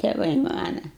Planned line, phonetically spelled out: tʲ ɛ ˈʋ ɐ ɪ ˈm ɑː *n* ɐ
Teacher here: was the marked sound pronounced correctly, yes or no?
yes